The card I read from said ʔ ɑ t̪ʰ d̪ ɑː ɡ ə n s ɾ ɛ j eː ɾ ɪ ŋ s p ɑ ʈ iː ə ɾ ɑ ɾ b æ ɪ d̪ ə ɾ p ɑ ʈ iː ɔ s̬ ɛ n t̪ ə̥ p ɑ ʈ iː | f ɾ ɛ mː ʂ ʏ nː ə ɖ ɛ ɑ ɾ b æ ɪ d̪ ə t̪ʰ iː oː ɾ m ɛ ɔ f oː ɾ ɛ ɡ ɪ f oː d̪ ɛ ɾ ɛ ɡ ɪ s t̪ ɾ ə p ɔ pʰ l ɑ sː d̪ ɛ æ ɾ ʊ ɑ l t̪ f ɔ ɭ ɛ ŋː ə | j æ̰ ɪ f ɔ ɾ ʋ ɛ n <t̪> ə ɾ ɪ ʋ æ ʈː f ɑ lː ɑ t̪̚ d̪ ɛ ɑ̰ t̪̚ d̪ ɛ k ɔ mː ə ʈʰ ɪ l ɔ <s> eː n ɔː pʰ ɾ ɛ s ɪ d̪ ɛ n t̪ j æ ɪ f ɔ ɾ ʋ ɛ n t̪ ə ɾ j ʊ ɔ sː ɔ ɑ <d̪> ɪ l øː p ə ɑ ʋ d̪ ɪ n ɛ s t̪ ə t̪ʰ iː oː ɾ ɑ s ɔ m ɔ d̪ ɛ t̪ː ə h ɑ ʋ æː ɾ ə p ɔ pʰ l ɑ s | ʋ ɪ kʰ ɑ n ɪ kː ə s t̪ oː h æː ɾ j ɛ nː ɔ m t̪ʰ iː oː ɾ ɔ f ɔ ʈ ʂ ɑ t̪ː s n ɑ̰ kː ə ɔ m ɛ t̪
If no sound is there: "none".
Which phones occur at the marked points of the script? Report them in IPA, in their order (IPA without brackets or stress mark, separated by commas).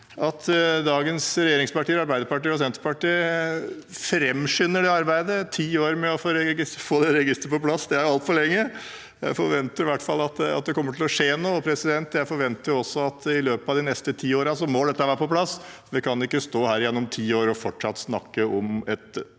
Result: t̪, ʂ, t̪